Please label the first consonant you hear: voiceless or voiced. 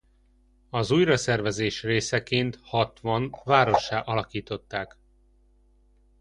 voiced